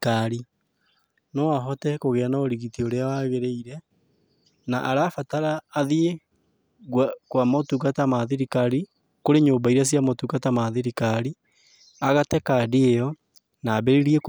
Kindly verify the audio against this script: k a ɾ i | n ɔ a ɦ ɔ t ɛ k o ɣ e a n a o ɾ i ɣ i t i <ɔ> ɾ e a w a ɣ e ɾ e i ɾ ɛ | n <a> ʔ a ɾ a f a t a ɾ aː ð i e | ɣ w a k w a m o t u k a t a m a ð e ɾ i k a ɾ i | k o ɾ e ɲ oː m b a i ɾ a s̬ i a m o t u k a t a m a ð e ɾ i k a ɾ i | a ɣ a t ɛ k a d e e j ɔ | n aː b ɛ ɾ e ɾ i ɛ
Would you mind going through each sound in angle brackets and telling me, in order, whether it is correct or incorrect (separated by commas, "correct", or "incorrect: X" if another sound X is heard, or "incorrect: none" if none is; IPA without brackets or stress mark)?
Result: incorrect: o, correct